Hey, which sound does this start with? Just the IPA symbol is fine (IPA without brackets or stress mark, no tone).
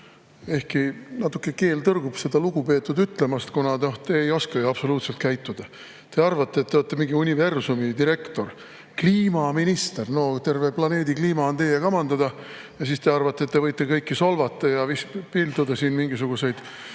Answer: e̞